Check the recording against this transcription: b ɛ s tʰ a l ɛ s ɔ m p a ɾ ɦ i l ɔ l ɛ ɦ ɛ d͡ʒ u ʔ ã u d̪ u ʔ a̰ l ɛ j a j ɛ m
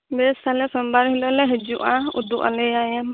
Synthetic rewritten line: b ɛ s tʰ a l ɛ s ɔ m b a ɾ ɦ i l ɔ l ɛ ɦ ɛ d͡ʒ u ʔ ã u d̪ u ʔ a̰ l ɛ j a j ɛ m